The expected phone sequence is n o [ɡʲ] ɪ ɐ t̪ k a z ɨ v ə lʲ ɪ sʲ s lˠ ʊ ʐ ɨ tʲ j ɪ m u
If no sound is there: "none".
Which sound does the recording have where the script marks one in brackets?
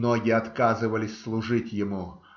ɡʲ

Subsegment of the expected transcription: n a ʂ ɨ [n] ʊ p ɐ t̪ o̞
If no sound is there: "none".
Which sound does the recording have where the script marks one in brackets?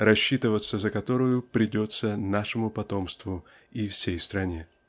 m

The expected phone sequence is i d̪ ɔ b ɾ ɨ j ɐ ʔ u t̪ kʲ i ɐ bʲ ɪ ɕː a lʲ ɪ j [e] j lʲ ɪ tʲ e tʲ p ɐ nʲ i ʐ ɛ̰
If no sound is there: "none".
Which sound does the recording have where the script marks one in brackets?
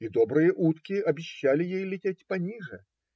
e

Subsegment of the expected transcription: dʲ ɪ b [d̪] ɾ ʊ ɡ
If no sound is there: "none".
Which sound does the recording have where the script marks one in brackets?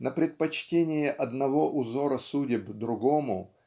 d̪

